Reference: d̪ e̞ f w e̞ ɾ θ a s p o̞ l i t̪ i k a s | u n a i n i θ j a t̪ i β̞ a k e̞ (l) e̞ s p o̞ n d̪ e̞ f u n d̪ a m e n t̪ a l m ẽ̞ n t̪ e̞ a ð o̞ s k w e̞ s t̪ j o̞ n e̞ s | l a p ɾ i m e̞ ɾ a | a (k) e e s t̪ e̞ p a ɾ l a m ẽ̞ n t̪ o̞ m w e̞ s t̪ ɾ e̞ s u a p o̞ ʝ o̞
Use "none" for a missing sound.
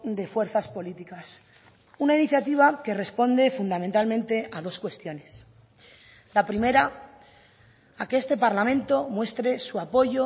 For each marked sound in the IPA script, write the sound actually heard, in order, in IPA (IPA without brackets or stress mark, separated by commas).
r, k